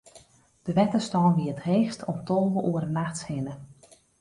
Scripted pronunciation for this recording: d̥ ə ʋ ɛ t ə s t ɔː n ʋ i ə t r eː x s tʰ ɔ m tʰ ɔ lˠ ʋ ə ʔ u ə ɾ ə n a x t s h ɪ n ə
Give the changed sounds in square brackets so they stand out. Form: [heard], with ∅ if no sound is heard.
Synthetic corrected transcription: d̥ ə ʋ ɛ t ə s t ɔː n ʋ i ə t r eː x s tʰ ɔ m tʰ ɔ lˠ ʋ ə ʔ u ə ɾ ə n a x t s h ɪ n ə